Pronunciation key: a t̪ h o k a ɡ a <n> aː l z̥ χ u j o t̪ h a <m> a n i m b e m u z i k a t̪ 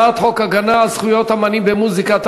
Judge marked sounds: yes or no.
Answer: yes, yes

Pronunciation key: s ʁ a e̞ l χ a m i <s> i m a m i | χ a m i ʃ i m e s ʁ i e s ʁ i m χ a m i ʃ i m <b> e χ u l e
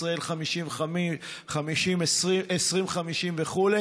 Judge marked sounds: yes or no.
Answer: no, no

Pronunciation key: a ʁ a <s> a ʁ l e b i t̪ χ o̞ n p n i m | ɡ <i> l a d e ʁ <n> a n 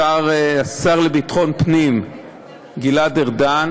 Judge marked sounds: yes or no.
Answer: yes, yes, no

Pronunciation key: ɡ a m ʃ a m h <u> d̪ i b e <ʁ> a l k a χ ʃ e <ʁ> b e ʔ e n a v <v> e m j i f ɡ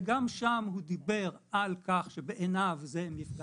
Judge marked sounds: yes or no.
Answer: yes, yes, no, no

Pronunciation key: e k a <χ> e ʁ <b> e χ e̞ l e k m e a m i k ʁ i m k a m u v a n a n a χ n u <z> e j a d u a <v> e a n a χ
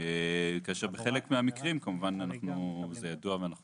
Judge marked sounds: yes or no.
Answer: no, yes, yes, yes

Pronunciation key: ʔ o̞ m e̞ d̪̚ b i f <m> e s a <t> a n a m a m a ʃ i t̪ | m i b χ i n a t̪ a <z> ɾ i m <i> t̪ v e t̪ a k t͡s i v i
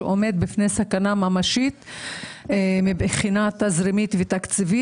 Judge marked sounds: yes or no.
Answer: no, no, yes, yes

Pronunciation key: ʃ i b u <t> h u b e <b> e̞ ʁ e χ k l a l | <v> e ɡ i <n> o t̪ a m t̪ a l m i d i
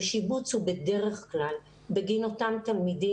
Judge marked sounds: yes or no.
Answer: no, no, no, yes

